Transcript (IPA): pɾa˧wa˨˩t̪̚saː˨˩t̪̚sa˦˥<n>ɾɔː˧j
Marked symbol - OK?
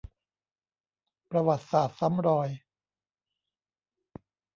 no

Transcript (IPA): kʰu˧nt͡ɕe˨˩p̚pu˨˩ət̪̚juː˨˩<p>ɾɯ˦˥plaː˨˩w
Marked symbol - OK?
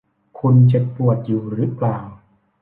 no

